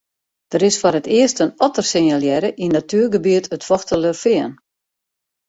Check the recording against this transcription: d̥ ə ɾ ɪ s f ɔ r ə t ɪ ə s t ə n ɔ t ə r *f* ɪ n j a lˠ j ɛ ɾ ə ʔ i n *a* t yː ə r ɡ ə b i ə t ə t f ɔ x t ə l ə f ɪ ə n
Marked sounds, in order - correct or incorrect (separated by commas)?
incorrect, correct